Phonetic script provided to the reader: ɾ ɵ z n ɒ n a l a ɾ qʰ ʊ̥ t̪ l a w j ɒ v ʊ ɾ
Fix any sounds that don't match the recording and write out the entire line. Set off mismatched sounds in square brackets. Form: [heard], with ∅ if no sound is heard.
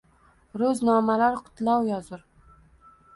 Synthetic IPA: ɾ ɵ z n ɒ [m] a l a ɾ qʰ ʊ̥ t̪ l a w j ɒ [z] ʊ ɾ

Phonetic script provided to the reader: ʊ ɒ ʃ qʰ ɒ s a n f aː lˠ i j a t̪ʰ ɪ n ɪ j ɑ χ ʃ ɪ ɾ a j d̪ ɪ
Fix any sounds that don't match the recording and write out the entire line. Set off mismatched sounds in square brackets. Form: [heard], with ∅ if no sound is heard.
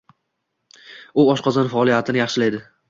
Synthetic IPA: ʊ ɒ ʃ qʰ ɒ [z] a n f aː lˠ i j a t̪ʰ ɪ n ɪ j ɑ χ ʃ ɪ [l] a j d̪ ɪ

